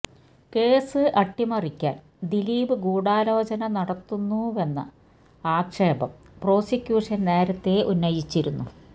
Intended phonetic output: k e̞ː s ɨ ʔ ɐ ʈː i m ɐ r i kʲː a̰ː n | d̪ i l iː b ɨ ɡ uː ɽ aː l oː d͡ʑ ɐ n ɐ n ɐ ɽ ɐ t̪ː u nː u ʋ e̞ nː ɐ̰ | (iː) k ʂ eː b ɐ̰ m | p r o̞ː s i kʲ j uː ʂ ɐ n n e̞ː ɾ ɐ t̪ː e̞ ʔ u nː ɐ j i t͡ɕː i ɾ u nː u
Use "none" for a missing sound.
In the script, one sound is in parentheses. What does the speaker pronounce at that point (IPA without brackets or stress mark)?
aː